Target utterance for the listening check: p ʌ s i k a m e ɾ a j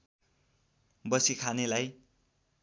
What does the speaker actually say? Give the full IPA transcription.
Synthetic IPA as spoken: b ʌ s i kʰ a n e l a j